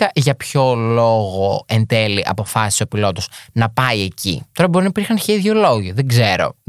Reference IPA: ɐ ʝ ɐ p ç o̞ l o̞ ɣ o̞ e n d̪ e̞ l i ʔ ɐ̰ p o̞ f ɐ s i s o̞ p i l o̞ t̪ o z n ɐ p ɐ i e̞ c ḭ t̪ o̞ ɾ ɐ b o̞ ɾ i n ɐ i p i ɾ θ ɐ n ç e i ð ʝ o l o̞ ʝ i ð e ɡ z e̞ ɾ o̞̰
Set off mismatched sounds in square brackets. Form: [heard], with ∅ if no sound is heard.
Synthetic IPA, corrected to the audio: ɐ ʝ ɐ p ç o̞ l o̞ ɣ o̞ e n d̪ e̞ l i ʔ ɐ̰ p o̞ f ɐ s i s o̞ p i l o̞ t̪ o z n ɐ p ɐ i e̞ c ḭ t̪ o̞ ɾ ɐ b o̞ ɾ i n ɐ i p i ɾ [x] ɐ n ç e i ð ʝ o l o̞ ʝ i ð e ɡ z e̞ ɾ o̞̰